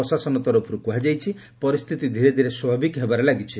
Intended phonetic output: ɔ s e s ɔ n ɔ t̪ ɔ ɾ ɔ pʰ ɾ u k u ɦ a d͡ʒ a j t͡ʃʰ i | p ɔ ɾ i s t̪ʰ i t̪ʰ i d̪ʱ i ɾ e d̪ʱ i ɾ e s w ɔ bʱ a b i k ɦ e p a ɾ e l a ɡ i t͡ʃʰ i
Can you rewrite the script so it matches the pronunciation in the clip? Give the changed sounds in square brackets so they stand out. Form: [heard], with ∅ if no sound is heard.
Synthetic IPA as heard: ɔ s [a] s ɔ n ɔ t̪ ɔ ɾ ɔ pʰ ɾ u k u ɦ a d͡ʒ a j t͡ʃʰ i | p ɔ ɾ i s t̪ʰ i [t̪] i d̪ʱ i ɾ e d̪ʱ i ɾ e s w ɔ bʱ a b i k ɦ e [b] a ɾ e l a ɡ i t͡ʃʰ i